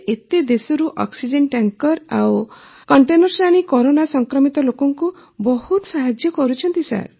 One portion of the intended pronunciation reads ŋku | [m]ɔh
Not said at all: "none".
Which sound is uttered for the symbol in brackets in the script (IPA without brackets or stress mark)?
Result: b